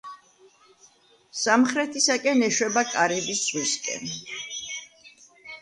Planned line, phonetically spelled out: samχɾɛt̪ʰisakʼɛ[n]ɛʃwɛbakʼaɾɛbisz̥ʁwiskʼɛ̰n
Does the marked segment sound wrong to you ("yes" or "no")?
no